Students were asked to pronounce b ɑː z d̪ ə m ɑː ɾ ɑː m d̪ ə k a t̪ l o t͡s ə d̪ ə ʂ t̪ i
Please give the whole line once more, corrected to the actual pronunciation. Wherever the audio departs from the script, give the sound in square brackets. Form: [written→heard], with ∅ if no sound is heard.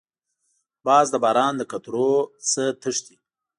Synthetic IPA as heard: b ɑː z d̪ ə [m→b] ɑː ɾ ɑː [m→n] d̪ ə k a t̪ [l→ɾ] o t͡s ə [d̪→t̪] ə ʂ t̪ i

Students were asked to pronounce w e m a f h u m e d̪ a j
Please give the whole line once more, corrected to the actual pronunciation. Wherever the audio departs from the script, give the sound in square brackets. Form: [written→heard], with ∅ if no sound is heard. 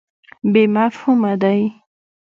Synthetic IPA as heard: [w→b] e m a f h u m [e→a] d̪ a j

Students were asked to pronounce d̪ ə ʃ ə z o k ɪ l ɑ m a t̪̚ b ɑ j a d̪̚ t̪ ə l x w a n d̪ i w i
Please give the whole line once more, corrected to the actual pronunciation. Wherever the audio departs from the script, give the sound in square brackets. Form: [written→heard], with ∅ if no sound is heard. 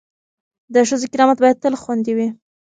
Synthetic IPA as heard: d̪ ə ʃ ə z o k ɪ [l→ɾ] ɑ m a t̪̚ b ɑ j a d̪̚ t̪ ə l x w a n d̪ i w i

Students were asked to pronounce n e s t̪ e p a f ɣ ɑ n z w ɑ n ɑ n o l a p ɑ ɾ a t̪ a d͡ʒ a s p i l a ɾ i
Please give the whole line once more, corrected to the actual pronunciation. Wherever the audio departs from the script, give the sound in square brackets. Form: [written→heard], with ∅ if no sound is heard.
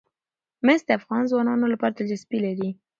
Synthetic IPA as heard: [n→m] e s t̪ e [p→∅] a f ɣ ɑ n z w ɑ n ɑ n o l a p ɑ ɾ a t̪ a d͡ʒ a s p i l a ɾ i

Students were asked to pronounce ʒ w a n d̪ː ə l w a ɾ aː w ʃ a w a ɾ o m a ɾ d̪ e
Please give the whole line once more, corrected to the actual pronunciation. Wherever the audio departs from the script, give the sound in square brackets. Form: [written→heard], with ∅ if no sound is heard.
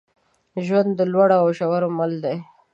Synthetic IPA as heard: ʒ w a n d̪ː ə l w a [ɾ→ɽ] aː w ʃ a w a ɾ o m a [ɾ→l] d̪ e

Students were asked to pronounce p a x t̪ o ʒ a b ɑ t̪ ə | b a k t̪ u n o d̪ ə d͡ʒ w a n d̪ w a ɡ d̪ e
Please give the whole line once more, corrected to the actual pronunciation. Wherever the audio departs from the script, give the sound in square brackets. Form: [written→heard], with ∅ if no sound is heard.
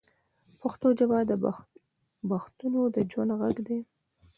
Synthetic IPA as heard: p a x t̪ o [ʒ→d͡ʒ] a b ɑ [t̪→d̪] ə | b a [k→x] t̪ u n o d̪ ə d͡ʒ w a n d̪ [w→ɣ] a ɡ d̪ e

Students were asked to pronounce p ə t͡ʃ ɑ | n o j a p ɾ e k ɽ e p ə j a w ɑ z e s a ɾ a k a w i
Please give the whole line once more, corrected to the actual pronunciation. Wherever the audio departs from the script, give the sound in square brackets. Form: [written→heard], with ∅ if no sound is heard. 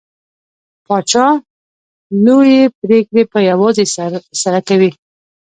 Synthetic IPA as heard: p [ə→ɑ] t͡ʃ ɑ | n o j [a→e] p ɾ e k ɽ e p ə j a w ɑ z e s a ɾ a k a w i

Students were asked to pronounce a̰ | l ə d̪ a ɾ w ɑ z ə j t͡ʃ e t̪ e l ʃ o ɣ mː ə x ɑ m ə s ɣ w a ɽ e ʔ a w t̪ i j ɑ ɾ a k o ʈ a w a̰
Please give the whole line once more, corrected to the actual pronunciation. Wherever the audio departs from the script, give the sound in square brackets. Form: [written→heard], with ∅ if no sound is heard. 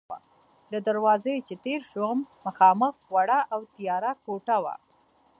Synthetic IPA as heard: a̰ | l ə d̪ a ɾ w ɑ z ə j t͡ʃ e t̪ e [l→ɾ] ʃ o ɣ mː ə x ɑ m ə [s→x] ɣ w a ɽ [e→a] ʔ a w t̪ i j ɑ ɾ a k o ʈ a w a̰

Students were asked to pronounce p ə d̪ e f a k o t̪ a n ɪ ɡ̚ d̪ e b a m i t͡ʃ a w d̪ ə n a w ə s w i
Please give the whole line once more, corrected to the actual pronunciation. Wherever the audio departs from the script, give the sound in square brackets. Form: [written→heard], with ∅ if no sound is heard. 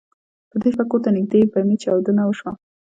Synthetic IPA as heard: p ə d̪ e f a k o t̪ a n ɪ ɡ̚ d̪ e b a m i t͡ʃ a w d̪ ə n a w ə [s→ʃ] w [i→a]

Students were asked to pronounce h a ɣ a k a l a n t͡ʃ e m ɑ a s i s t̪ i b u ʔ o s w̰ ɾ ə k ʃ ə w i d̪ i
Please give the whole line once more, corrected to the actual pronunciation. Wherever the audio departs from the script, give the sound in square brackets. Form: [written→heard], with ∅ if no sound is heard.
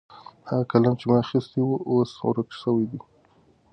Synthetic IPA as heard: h a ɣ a k a l a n t͡ʃ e m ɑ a [s→x] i s t̪ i [b→w] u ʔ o s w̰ ɾ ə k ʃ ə w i d̪ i

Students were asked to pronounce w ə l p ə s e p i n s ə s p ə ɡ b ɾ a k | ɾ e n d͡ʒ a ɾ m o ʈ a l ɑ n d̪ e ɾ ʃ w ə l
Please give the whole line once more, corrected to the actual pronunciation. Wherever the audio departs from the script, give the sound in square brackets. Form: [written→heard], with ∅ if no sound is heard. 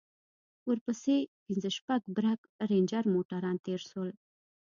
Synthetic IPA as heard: w ə [l→ɾ] p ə s e p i n [s→z] ə [s→ʃ] p [ə→a] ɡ b ɾ a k | ɾ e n d͡ʒ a ɾ m o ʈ a [l→ɾ] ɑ n [d̪→t̪] e ɾ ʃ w ə l

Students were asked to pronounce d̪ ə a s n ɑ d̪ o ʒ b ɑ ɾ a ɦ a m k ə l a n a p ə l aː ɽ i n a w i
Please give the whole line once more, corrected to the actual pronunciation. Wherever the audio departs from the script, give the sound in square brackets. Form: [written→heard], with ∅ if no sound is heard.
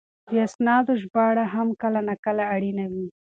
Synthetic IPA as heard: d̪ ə a s n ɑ d̪ o ʒ b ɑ [ɾ→ɽ] a ɦ a m k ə l a n a [p→k] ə l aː ɽ i n a w i

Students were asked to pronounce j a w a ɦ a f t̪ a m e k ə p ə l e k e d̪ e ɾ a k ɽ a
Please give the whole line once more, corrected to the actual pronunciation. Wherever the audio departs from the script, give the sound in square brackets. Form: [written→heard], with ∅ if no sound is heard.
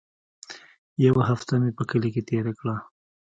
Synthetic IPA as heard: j a w a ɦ a f t̪ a m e [k→p] ə [p→k] ə l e k e [d̪→t̪] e ɾ a k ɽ a

